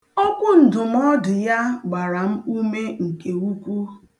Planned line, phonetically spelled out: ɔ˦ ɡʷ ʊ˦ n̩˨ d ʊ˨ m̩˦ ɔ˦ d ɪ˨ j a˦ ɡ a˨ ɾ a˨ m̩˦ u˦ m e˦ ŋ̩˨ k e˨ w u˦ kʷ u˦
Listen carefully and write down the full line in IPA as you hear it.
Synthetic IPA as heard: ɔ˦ kʷ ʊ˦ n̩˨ d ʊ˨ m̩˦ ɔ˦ d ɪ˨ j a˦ ɡ͡b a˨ ɾ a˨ m̩˦ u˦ m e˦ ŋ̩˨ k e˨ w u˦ kʷ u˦